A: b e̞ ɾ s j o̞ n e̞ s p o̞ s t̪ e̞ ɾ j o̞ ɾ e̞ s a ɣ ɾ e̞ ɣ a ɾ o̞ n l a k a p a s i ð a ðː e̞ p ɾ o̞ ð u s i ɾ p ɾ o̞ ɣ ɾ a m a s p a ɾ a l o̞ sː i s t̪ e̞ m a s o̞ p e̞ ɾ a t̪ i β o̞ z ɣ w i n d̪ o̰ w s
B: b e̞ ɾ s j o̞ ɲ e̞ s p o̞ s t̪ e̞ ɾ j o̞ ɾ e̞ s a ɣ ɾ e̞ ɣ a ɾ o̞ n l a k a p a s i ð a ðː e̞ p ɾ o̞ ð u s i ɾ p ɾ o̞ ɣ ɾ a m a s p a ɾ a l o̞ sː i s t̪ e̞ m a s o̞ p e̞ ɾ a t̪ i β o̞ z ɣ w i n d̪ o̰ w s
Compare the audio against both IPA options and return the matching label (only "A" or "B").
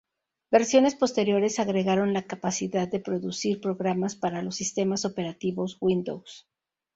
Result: A